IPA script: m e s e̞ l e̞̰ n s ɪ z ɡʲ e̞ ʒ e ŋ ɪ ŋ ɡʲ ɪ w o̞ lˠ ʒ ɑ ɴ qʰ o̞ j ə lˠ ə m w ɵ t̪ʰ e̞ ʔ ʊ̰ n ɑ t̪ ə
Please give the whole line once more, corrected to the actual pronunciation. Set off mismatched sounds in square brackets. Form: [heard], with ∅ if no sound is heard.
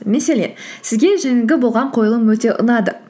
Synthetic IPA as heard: m e s e̞ l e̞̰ n s ɪ z ɡʲ e̞ ʒ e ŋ ɪ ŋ ɡʲ ɪ [b] o̞ lˠ [ʁ] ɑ ɴ qʰ o̞ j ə lˠ ə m w ɵ [t̪] e̞ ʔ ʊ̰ n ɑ [d̪] ə